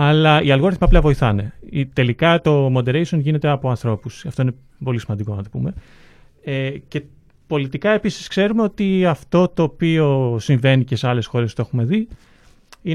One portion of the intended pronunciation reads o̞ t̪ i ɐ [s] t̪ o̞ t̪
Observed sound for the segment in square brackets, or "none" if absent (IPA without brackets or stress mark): f